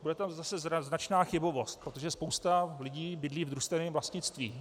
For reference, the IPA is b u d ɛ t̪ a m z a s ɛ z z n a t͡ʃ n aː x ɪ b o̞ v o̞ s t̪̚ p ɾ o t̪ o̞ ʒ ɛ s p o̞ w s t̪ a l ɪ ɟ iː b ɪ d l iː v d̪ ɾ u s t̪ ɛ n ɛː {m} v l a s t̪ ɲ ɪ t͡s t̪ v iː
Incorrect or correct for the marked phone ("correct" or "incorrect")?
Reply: correct